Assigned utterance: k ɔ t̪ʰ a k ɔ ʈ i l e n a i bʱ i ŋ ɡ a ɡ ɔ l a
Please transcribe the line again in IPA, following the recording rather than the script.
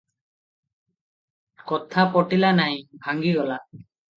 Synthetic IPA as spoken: k ɔ t̪ʰ a p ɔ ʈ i l a n a j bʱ a ŋ ɡ i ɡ ɔ l a